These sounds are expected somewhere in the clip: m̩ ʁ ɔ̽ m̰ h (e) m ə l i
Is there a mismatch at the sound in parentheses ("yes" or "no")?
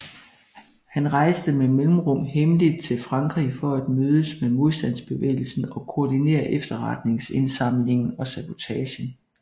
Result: no